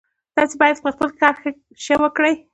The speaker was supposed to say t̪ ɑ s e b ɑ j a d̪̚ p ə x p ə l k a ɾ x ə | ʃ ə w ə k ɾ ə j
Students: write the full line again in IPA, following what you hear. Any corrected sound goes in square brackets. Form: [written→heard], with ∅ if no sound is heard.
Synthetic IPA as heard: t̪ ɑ s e b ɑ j a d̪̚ p ə x p ə l k [a→ɑ] ɾ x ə | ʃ ə w ə k [ɾ→ɽ] ə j